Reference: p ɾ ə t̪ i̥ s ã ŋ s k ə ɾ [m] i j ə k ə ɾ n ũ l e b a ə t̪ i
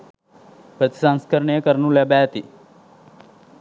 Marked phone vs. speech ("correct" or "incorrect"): incorrect